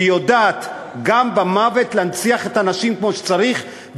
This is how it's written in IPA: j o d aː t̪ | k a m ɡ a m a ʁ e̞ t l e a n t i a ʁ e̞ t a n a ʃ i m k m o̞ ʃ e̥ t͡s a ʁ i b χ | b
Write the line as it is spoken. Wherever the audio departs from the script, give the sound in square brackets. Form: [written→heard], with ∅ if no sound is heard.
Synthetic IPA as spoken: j o d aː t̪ | [k→ɡ] a m [ɡ→b] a m a [ʁ→v] e̞ t l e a n [t→t͡s] i a [ʁ→χ] e̞ t a n a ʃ i m k m o̞ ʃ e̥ t͡s a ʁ i [b→∅] χ | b